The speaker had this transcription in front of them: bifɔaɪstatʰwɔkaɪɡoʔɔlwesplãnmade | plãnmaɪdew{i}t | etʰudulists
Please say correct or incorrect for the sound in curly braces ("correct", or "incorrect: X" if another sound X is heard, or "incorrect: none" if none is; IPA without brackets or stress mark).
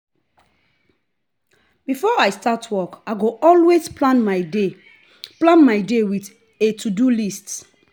correct